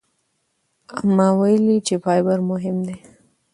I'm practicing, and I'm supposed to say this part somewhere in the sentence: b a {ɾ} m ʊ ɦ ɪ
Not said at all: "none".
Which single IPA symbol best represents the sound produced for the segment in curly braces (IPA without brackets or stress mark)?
ɾ